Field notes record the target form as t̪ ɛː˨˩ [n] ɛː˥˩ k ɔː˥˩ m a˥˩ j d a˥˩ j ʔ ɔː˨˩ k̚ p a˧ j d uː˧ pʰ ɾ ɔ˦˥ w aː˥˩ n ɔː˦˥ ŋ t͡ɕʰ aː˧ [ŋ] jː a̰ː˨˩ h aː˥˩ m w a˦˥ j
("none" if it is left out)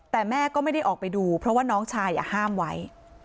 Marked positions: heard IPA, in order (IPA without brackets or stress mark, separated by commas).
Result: m, none